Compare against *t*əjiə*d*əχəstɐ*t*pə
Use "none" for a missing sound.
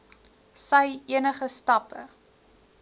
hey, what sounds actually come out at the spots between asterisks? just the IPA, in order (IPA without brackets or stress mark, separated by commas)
s, n, none